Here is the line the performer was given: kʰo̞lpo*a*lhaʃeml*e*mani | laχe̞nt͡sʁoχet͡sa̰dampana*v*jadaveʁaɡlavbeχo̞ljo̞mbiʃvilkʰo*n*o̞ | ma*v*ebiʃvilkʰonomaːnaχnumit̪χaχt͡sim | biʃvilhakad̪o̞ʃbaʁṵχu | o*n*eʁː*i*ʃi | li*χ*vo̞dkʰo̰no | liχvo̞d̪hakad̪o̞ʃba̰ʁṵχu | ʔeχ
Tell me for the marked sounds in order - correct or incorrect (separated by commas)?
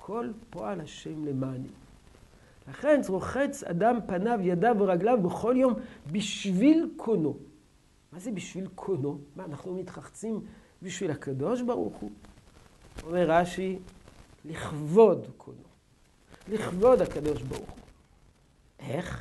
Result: correct, correct, correct, correct, incorrect, incorrect, incorrect, correct